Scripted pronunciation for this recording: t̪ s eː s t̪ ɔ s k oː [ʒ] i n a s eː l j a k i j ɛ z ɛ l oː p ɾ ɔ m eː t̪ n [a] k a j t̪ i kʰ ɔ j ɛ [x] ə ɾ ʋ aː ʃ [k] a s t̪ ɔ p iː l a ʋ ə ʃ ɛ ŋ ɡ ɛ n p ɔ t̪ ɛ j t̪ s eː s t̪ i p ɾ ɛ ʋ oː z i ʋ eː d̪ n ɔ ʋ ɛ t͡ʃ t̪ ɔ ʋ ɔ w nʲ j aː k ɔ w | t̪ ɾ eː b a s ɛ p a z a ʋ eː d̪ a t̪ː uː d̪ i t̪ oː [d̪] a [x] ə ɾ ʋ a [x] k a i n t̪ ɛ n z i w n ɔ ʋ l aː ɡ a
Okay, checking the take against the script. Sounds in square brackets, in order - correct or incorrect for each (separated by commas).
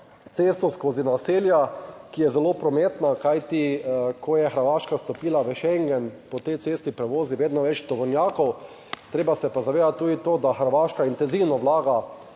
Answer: incorrect, correct, correct, correct, correct, correct, incorrect